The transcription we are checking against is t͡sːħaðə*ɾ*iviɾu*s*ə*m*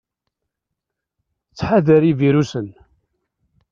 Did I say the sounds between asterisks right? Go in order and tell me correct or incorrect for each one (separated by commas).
correct, correct, incorrect